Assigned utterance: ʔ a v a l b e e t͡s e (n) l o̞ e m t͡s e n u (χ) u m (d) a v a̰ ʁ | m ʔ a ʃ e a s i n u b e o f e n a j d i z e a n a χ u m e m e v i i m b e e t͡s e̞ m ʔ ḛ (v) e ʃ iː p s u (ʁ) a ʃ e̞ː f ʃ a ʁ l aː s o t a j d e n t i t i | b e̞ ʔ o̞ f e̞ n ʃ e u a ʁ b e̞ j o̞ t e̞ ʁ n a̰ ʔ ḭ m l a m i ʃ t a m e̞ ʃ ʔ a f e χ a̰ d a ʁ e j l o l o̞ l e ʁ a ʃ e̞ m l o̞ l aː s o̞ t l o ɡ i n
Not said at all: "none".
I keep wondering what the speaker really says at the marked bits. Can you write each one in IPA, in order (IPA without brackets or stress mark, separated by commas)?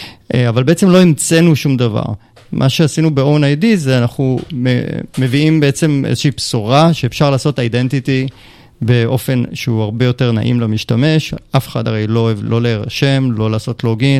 m, ʃ, d, z, ʁ